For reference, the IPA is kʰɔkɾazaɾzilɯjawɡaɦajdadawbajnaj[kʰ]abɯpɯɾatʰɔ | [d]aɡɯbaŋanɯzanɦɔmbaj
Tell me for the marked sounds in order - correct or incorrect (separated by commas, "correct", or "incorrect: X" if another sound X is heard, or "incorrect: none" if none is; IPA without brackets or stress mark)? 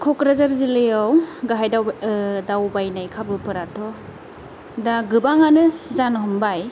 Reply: correct, correct